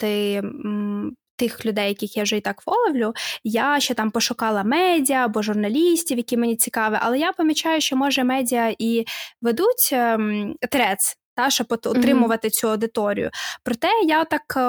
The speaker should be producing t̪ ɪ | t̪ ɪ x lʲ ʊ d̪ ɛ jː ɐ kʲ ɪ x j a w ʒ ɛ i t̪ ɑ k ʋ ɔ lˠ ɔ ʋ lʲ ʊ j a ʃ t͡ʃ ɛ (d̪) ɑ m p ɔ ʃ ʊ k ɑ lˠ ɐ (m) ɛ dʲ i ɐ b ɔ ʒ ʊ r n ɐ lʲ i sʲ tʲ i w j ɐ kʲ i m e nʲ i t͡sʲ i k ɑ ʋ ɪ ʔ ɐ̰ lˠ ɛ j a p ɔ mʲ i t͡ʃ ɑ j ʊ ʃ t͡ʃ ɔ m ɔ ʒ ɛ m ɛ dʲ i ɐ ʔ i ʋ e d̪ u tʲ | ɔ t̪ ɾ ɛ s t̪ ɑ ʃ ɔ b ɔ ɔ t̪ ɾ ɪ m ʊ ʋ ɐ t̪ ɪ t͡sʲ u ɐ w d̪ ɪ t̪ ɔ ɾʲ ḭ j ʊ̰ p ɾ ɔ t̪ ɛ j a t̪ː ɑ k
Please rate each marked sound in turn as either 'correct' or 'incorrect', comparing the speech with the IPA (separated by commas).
incorrect, correct